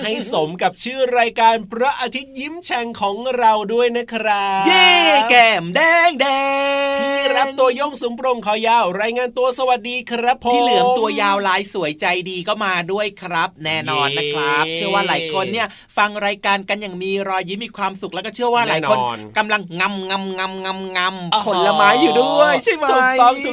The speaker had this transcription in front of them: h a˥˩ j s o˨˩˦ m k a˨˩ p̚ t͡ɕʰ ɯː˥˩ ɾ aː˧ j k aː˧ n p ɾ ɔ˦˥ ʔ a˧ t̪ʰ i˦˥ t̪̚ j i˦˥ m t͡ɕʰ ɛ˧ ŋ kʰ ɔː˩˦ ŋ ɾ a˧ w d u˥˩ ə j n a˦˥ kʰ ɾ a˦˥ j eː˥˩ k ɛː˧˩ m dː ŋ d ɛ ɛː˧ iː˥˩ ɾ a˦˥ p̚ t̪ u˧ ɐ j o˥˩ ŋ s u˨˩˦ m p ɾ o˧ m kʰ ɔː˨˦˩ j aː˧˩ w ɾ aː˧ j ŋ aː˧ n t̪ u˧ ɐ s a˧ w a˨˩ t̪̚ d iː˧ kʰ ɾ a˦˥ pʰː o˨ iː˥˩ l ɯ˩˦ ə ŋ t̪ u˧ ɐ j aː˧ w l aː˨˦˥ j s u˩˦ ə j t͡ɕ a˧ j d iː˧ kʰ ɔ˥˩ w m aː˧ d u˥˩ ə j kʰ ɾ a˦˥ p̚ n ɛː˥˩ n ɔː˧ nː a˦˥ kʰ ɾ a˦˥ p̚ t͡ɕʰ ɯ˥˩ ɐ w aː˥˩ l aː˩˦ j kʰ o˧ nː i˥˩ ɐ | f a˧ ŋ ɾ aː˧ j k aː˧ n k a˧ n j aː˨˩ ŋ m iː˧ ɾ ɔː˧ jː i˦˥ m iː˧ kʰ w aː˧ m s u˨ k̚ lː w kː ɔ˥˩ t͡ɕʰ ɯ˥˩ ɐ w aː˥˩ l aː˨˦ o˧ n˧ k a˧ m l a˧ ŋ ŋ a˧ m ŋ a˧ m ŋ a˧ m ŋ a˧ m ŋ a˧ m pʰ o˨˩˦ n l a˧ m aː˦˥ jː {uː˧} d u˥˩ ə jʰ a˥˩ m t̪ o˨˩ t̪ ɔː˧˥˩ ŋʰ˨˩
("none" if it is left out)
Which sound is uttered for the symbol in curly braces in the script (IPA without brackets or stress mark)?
uː˨˩